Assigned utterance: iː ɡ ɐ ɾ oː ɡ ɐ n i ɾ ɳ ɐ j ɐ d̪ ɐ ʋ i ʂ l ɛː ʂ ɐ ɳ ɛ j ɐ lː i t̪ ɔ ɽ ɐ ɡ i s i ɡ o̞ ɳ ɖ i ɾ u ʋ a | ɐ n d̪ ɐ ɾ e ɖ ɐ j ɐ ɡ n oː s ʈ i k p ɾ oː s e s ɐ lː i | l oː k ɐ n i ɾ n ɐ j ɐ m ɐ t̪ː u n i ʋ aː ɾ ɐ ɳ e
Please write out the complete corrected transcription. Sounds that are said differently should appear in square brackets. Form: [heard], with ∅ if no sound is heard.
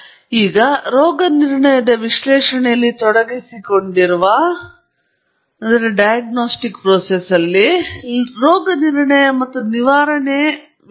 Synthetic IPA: iː ɡ ɐ ɾ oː ɡ ɐ n i ɾ ɳ ɐ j ɐ d̪ ɐ ʋ i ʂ l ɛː ʂ ɐ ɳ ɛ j ɐ lː i t̪ ɔ ɽ ɐ ɡ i s i [k] o̞ ɳ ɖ i ɾ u ʋ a | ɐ n d̪ ɐ ɾ e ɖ ɐ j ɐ ɡ n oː s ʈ i k p ɾ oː s e s ɐ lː i | [ɾ] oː [ɡ] ɐ n i ɾ [ɳ] ɐ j ɐ m ɐ t̪ː u n i ʋ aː ɾ ɐ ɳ e